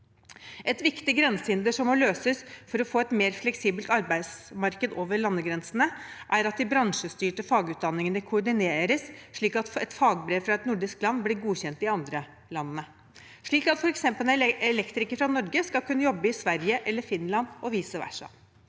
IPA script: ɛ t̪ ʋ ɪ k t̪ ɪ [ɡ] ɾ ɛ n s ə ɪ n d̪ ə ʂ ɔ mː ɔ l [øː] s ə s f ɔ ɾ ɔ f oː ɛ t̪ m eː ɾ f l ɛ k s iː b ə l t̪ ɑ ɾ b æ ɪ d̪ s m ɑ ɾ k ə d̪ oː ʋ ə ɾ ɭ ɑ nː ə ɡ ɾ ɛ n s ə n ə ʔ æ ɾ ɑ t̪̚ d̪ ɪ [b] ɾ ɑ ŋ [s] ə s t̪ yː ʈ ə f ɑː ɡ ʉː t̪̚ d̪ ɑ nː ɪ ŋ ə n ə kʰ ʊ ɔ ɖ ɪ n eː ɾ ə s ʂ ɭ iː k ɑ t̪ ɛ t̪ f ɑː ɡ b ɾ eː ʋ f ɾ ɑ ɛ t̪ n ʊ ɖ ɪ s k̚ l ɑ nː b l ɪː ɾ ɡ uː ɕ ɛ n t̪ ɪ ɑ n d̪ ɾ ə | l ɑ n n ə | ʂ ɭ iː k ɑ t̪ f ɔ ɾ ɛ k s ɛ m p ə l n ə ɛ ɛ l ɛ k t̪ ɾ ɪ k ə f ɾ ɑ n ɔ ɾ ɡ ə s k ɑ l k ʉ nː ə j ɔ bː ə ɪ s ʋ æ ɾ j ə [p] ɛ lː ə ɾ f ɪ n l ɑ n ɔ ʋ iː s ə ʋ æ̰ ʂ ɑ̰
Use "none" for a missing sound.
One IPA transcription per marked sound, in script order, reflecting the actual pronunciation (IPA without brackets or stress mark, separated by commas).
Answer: ɡ, øː, b, ʂ, ʔ